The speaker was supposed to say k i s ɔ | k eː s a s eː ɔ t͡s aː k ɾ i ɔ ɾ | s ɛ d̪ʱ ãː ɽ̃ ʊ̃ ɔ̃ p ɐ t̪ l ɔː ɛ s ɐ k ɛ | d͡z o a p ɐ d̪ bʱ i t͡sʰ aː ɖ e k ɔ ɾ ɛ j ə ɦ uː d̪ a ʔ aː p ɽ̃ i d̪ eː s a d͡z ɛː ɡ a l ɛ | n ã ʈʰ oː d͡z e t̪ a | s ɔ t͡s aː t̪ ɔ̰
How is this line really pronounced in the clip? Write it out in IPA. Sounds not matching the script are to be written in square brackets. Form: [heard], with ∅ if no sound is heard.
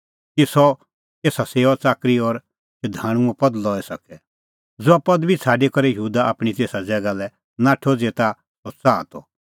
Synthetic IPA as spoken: k i s ɔ | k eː s a s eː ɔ t͡s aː k ɾ i ɔ ɾ | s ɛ d̪ʱ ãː ɽ̃ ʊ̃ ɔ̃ p ɐ [d̪] l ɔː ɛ s ɐ k ɛ | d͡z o a p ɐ d̪ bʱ i t͡sʰ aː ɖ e k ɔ ɾ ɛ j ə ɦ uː d̪ a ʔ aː p ɽ̃ i [t̪] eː s a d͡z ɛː ɡ a l ɛ | n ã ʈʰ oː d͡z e t̪ a | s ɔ t͡s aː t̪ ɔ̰